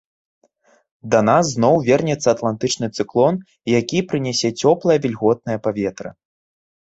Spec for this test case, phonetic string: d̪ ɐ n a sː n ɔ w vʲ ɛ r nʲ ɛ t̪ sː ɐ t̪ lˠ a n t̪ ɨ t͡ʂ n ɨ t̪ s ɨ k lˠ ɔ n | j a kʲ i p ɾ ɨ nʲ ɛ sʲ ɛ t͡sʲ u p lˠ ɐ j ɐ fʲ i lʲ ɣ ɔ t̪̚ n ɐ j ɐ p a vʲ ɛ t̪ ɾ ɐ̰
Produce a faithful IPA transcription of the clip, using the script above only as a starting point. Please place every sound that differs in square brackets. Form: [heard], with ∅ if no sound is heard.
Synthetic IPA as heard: d̪ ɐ n a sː n ɔ w vʲ ɛ r nʲ ɛ t̪ sː ɐ t̪ lˠ a n t̪ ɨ t͡ʂ n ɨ t̪ s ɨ k lˠ ɔ n | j a kʲ i p ɾ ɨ nʲ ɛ sʲ ɛ t͡sʲ [ɔ] p lˠ ɐ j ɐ [vʲ] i lʲ ɣ ɔ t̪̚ n ɐ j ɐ p a vʲ ɛ t̪ ɾ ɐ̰